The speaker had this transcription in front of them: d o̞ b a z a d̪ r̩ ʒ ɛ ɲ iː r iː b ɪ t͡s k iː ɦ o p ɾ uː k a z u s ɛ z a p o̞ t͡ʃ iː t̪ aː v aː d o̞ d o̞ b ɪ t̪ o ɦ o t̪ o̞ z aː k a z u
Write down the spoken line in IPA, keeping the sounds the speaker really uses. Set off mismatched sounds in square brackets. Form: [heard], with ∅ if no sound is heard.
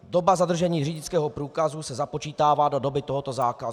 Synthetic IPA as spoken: d o̞ b a z a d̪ r̩ ʒ ɛ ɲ iː r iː [ɟ] ɪ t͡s k [ɛː] ɦ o p ɾ uː k a z u s ɛ z a p o̞ t͡ʃ iː t̪ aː v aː d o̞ d o̞ b ɪ t̪ o ɦ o t̪ o̞ z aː k a z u